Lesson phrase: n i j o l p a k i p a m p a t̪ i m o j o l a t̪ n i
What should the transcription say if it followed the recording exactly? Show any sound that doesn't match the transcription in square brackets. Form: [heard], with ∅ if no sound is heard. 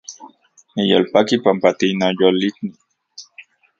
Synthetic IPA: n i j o l p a k i p a m p a t̪ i [n] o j o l [i] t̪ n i